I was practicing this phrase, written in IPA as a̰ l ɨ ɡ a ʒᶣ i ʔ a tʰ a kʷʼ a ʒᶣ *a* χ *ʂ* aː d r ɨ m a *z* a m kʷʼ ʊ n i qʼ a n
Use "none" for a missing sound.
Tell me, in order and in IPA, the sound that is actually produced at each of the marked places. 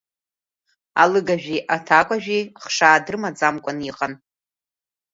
i, ʂ, d͡z

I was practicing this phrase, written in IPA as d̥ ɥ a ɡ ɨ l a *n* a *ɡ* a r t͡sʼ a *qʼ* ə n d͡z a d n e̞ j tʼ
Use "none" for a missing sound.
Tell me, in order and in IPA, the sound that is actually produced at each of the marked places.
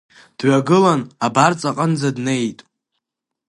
n, b, qʼ

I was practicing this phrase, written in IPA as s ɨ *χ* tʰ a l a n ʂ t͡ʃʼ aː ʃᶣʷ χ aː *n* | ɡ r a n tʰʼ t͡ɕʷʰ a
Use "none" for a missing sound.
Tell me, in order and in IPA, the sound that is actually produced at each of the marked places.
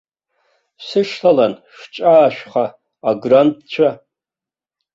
ʂ, none

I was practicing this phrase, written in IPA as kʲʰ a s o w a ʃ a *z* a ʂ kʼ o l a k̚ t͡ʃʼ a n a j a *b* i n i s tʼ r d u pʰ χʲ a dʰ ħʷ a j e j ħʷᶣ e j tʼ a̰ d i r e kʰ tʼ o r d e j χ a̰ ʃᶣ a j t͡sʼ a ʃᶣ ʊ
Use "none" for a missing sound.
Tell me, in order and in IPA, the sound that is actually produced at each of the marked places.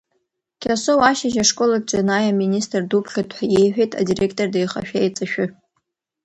ʒ, m

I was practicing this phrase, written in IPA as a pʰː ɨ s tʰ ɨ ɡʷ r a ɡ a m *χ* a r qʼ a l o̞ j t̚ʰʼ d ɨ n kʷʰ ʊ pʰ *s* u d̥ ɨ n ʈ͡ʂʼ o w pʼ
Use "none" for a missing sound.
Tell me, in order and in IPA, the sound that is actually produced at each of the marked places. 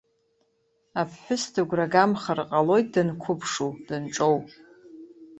χ, ʂ

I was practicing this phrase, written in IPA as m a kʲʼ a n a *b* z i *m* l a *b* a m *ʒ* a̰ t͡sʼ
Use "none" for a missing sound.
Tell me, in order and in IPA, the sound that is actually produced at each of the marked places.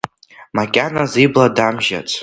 none, b, d, ʒ

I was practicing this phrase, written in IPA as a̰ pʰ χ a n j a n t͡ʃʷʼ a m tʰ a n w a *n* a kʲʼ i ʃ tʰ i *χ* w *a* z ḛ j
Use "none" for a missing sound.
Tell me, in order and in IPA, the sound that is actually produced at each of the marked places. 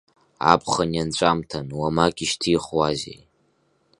m, χ, a

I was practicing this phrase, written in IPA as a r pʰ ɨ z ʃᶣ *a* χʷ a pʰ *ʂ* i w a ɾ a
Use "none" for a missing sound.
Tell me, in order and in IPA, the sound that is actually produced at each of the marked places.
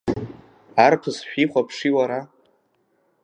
i, ʂ

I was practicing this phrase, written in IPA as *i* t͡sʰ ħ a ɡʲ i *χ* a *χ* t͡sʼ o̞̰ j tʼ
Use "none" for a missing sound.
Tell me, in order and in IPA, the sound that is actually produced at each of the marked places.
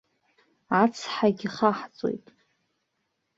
a, χ, ħ

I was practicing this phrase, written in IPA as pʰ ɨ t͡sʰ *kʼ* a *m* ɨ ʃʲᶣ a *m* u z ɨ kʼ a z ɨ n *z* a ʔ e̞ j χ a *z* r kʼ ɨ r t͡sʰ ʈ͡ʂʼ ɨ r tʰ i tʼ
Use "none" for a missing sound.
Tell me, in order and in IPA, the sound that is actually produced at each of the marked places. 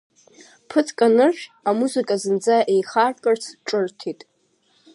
kʼ, n, m, d͡z, none

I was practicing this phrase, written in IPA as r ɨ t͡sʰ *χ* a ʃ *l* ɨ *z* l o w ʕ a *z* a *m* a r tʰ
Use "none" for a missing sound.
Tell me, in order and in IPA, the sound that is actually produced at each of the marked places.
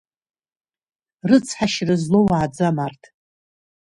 ħ, r, z, d͡z, m

